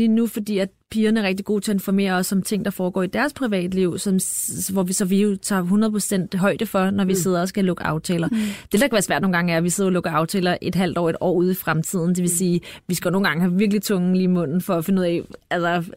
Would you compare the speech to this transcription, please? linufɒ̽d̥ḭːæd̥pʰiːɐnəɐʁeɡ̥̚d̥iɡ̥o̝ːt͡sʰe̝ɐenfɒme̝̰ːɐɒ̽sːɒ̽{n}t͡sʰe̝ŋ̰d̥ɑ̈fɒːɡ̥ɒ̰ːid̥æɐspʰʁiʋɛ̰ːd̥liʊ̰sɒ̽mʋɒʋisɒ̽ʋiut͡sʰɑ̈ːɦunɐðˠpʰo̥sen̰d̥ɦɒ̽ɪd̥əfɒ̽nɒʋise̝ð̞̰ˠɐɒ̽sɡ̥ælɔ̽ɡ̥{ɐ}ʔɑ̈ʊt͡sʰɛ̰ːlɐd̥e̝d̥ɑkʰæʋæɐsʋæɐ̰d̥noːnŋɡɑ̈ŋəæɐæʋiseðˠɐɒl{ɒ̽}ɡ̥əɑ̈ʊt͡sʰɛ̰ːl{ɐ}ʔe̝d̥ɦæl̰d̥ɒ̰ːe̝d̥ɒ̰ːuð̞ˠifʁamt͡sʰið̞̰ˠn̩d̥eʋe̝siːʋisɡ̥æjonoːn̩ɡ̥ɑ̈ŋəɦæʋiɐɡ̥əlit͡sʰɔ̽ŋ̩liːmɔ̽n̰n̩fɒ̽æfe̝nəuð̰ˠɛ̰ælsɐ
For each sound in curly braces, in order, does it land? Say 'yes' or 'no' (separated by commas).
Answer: no, no, no, yes